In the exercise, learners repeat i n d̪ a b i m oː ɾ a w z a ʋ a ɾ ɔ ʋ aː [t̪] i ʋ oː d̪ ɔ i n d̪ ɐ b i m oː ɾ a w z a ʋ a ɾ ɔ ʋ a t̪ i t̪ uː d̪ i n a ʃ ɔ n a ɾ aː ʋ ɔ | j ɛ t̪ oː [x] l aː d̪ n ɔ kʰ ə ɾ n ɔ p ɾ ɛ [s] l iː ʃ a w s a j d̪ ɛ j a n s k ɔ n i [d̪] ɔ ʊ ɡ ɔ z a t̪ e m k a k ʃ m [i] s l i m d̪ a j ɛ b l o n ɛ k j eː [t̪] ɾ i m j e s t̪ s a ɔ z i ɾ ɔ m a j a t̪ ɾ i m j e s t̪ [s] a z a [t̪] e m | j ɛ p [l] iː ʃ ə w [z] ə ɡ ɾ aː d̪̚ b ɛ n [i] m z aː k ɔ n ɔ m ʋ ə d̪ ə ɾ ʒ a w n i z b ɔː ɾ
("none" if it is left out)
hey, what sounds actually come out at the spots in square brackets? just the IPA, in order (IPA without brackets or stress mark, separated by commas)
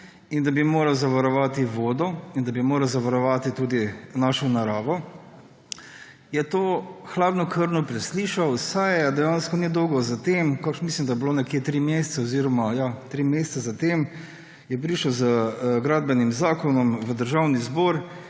t̪, x, s, d̪, i, t̪, s, t̪, ɾ, z, i